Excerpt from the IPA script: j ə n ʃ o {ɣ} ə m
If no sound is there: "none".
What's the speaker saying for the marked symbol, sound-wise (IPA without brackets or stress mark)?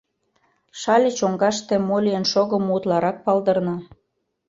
ɣ